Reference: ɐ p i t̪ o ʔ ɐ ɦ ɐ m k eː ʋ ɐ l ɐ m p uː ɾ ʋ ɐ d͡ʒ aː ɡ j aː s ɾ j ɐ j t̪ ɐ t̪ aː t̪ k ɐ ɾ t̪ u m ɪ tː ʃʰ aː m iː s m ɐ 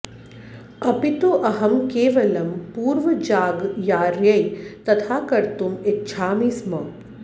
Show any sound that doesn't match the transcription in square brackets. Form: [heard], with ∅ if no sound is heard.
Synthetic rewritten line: ɐ p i t̪ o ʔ ɐ ɦ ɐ m k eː ʋ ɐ l ɐ m p uː ɾ ʋ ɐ d͡ʒ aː ɡ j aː [∅] ɾ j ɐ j t̪ ɐ [t̪ʰ] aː [∅] k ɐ ɾ t̪ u m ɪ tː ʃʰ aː m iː s m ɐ